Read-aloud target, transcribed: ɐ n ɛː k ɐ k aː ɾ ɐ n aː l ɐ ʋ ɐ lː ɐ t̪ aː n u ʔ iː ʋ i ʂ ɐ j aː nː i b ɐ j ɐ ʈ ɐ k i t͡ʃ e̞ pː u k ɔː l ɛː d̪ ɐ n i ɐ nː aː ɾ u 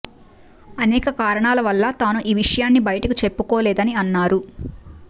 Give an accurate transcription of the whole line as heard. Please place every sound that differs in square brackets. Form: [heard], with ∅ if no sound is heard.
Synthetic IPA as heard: ɐ n ɛː k ɐ k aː ɾ ɐ [ɳ] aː l ɐ ʋ ɐ lː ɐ t̪ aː n u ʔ iː ʋ i ʂ ɐ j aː nː i b ɐ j ɐ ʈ ɐ k i t͡ʃ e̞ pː u k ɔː l ɛː d̪ ɐ n i ɐ nː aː ɾ u

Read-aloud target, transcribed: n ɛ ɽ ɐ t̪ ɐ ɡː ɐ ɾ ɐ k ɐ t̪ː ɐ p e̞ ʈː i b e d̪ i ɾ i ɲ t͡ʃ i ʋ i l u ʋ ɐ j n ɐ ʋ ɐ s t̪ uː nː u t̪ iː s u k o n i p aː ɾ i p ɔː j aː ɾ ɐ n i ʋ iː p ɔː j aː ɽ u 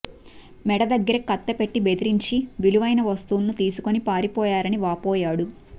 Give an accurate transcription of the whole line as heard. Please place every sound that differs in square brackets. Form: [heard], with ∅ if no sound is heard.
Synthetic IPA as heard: [m] ɛ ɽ ɐ [d̪] ɐ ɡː ɐ ɾ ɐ k ɐ t̪ː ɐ p e̞ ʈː i b e d̪ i ɾ i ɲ t͡ʃ i ʋ i l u ʋ ɐ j n ɐ ʋ ɐ s t̪ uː nː u t̪ iː s u k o n i p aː ɾ i p ɔː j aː ɾ ɐ n i ʋ [aː] p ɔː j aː ɽ u

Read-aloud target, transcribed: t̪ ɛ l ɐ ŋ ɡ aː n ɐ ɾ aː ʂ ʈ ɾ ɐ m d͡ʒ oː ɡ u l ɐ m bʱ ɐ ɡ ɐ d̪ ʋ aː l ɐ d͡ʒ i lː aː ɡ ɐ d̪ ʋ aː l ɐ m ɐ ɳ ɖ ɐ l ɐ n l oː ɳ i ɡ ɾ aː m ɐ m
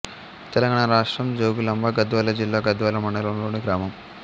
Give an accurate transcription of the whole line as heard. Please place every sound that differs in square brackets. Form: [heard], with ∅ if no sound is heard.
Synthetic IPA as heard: t̪ ɛ l ɐ ŋ ɡ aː [ɳ] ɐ ɾ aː ʂ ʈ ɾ ɐ m d͡ʒ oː ɡ u l ɐ m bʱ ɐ ɡ ɐ d̪ ʋ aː l ɐ d͡ʒ i lː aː ɡ ɐ d̪ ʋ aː l ɐ m ɐ ɳ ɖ ɐ l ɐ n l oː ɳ i ɡ ɾ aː m ɐ m

